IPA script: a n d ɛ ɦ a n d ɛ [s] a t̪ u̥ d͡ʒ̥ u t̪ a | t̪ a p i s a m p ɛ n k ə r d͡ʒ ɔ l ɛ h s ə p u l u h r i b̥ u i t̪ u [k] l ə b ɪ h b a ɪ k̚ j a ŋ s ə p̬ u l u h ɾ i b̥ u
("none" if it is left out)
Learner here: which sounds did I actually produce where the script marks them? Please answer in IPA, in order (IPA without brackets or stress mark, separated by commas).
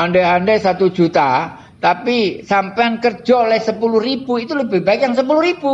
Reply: s, none